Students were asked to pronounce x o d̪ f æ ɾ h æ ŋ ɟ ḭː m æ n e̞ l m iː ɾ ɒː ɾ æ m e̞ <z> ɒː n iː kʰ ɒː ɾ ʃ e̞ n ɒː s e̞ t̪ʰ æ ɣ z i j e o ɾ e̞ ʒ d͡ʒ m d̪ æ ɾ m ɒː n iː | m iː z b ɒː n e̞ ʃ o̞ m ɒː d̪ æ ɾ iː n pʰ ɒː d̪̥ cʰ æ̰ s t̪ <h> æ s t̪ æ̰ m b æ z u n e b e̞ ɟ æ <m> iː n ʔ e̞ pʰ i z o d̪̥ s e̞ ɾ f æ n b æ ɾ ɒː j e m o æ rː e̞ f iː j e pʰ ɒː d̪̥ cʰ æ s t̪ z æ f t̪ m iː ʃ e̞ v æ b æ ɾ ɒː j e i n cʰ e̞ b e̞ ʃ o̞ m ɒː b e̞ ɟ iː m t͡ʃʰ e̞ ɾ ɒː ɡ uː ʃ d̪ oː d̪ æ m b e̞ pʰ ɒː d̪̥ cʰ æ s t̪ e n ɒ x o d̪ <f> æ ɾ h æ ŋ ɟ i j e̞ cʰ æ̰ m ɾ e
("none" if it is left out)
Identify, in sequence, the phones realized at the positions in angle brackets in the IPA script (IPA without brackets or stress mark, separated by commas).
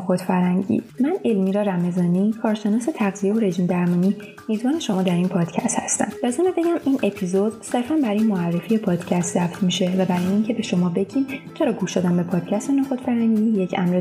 z, h, m, f